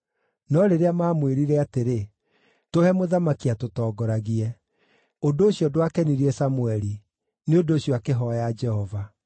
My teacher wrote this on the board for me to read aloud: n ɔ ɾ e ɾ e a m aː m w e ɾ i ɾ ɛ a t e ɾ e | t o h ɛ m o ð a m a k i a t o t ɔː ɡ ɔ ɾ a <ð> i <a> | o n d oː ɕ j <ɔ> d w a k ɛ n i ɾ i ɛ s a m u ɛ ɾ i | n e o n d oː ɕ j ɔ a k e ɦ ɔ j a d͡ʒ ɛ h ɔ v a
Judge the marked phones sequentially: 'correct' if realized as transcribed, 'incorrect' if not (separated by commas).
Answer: incorrect, incorrect, correct